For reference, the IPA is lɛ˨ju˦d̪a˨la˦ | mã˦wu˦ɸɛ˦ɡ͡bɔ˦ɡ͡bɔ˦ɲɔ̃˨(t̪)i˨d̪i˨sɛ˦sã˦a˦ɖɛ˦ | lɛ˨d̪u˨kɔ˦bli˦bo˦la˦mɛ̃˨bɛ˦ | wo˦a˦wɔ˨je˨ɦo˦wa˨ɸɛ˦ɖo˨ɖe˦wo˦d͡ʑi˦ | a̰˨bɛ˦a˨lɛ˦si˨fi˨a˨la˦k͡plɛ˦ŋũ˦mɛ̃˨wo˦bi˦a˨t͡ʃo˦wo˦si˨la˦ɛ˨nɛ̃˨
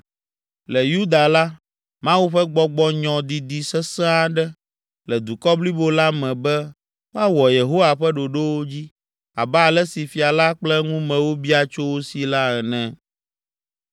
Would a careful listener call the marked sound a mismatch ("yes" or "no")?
yes